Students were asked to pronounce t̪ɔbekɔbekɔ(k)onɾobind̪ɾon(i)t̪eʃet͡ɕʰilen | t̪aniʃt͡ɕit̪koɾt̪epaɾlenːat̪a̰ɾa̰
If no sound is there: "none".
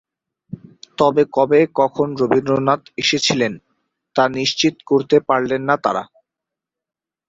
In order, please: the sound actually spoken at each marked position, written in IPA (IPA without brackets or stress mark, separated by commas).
kʰ, a